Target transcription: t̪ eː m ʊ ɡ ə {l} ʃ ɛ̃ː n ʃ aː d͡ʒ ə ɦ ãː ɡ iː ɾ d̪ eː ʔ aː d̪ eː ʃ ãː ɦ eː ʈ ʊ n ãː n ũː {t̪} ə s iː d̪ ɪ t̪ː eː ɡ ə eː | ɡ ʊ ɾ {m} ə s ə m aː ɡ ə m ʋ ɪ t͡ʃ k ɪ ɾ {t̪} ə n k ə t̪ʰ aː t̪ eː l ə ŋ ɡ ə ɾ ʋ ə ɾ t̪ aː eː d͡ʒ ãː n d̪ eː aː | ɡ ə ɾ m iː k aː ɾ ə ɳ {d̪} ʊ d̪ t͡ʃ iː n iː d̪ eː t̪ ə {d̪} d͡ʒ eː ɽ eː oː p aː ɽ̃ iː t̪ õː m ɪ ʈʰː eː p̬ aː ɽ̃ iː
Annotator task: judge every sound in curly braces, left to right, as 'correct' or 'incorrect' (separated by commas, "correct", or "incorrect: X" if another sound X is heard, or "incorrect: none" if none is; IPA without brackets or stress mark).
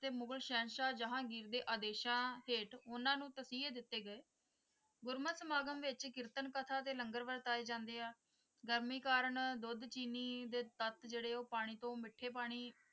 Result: correct, correct, correct, correct, correct, incorrect: t̪